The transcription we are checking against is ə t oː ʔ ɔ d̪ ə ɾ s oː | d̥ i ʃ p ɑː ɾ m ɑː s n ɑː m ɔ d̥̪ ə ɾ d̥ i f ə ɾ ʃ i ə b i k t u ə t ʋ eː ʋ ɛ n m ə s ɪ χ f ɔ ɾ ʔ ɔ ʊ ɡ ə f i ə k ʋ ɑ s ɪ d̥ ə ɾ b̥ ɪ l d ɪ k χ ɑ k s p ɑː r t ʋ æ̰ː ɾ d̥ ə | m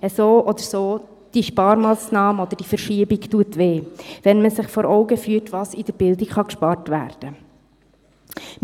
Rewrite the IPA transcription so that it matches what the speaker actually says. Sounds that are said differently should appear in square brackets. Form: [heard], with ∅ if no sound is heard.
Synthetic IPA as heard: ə [s] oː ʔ ɔ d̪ ə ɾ s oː | d̥ i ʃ p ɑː ɾ m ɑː s n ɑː m ɔ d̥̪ ə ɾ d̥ i f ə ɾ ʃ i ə b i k t u ə t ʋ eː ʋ ɛ n m ə s ɪ χ f ɔ ɾ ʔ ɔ ʊ ɡ ə f [y] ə [t] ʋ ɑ s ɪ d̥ ə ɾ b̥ ɪ l d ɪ k χ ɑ k [ʃ] p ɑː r t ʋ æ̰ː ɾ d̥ ə | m